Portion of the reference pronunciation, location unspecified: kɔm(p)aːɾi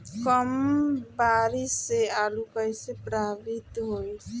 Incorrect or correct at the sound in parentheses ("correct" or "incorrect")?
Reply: incorrect